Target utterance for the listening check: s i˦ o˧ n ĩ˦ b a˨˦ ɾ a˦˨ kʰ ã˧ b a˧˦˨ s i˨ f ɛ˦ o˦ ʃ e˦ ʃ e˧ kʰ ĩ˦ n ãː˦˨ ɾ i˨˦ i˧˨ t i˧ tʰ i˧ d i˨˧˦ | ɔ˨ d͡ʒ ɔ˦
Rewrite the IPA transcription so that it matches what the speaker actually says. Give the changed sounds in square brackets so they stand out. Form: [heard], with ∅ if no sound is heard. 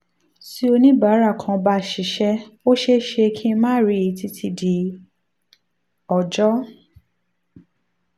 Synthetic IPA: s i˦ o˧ n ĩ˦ b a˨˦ ɾ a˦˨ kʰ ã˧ b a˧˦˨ [ʃ] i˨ [ʃ] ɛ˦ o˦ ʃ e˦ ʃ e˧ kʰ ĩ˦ [m] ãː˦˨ ɾ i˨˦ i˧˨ t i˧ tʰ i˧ d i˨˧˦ | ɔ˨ d͡ʒ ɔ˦